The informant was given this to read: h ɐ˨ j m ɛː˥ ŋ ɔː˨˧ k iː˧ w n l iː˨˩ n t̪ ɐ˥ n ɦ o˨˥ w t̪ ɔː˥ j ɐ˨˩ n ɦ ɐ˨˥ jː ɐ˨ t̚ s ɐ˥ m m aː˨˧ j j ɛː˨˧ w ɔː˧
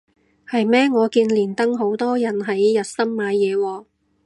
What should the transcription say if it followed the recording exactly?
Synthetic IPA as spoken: h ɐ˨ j m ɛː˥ ŋ ɔː˨˧ k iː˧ n l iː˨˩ n t̪ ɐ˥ ŋ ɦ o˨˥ w t̪ ɔː˥ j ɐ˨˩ n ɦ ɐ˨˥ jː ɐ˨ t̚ s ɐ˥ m m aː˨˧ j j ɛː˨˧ w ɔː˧